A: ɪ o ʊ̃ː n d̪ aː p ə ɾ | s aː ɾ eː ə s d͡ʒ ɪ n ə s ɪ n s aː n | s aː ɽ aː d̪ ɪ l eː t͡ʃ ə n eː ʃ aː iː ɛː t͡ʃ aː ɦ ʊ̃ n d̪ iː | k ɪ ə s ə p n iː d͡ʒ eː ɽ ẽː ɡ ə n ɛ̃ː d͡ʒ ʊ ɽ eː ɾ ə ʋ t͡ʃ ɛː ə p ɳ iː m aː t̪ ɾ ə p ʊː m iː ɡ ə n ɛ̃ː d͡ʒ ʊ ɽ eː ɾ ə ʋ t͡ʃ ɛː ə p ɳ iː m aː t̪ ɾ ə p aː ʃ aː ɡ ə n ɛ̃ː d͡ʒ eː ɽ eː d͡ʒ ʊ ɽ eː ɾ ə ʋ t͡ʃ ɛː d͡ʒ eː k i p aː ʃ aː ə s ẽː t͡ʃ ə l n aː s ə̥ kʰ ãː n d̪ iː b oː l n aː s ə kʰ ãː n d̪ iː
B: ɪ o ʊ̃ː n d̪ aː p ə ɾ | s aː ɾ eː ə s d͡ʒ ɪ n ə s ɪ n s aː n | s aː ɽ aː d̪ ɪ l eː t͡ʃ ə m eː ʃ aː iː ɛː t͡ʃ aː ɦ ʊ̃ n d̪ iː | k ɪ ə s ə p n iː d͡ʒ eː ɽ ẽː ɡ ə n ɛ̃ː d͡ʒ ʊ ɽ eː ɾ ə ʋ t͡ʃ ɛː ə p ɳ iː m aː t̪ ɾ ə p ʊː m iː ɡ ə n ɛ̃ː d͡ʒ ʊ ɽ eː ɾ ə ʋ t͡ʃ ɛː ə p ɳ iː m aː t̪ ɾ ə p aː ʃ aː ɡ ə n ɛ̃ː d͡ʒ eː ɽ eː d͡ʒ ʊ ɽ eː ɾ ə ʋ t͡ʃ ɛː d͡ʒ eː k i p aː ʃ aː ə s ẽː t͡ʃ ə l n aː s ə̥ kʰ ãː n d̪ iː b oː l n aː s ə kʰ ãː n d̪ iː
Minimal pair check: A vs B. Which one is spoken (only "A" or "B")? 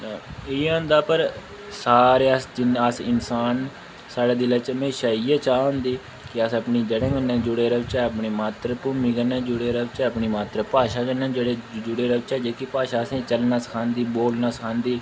B